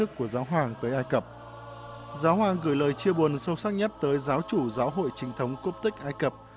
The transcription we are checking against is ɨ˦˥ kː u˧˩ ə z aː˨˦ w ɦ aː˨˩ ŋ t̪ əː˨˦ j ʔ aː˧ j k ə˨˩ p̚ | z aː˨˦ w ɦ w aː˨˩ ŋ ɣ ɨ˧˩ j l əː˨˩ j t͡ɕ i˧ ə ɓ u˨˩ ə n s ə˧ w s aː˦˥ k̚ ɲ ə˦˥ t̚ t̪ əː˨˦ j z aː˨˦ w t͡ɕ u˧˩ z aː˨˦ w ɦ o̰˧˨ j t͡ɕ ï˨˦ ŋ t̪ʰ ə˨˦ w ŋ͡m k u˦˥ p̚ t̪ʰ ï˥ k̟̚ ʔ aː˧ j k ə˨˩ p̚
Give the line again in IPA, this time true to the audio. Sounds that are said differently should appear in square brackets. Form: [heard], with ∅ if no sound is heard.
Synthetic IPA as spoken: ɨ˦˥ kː u˧˩ ə z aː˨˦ w ɦ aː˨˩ ŋ t̪ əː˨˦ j ʔ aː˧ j k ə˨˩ p̚ | z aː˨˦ w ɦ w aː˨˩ ŋ ɣ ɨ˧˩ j l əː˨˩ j t͡ɕ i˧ ə ɓ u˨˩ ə n s ə˧ w s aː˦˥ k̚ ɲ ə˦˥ t̚ t̪ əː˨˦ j z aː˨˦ w t͡ɕ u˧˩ z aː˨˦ w ɦ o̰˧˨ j t͡ɕ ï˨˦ ŋ t̪ʰ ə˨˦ w ŋ͡m k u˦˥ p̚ [t̪] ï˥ k̟̚ ʔ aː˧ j k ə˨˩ p̚